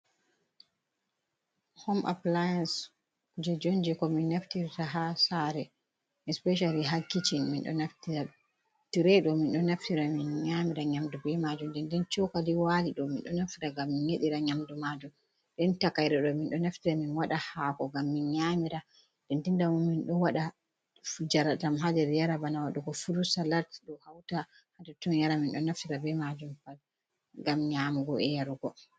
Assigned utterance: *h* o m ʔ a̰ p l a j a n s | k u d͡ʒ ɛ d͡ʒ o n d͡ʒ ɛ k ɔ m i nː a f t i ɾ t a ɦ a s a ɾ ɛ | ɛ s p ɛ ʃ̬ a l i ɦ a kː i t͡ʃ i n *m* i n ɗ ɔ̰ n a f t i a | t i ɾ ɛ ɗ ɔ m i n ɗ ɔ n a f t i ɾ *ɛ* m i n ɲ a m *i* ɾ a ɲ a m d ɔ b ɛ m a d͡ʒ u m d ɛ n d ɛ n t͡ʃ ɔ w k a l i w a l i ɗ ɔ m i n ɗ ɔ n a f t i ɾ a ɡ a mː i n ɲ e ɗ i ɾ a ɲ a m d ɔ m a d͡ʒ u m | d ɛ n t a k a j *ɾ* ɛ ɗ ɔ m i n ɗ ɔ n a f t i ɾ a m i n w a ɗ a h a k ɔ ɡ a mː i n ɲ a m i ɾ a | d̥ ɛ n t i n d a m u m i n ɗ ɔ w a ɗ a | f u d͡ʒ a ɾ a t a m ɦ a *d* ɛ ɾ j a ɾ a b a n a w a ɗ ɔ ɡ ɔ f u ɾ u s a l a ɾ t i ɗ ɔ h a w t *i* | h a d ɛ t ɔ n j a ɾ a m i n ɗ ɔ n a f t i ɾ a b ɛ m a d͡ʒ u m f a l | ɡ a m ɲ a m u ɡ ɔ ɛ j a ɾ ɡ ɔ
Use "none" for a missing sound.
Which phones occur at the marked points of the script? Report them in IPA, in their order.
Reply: h, m, a, i, ɾ, d, a

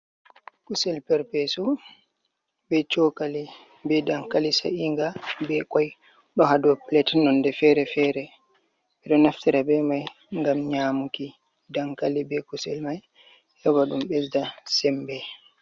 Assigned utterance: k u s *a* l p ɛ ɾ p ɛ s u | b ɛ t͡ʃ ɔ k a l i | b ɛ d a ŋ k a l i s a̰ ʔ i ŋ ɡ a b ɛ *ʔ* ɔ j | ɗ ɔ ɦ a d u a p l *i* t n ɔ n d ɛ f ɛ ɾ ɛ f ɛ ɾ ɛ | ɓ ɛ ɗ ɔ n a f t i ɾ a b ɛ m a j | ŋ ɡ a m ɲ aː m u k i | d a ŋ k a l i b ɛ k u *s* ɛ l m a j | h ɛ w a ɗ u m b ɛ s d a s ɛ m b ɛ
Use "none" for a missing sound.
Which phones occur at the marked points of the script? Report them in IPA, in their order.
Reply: ɛ, k, ɛ, s

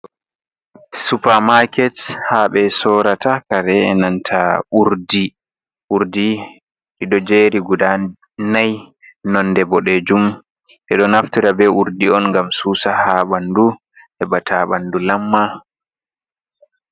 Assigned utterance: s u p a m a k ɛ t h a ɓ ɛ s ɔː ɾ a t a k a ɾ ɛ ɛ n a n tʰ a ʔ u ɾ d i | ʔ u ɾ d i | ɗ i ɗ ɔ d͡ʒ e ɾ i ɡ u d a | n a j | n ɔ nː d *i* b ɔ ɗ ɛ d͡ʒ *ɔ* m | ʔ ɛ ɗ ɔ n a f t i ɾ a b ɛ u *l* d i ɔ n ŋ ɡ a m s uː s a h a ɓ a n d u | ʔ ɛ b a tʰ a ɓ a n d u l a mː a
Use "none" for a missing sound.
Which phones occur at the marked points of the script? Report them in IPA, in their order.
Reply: ɛ, u, ɾ

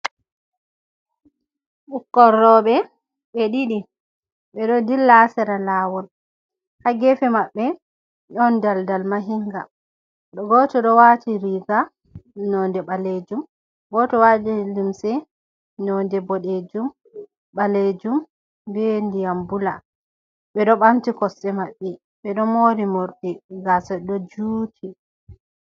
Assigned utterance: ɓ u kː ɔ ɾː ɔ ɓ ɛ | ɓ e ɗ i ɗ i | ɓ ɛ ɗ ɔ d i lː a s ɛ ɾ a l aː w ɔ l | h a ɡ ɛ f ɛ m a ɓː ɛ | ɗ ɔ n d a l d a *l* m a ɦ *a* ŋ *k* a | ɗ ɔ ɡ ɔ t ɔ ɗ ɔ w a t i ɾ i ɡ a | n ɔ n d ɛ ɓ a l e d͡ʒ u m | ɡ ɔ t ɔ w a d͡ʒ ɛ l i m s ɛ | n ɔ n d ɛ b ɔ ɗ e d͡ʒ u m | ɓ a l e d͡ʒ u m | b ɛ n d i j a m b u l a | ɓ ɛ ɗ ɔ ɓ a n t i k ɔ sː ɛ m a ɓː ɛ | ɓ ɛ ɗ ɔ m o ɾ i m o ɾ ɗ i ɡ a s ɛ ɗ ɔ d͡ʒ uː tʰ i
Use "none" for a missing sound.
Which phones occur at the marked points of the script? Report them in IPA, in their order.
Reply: l, i, ɡ

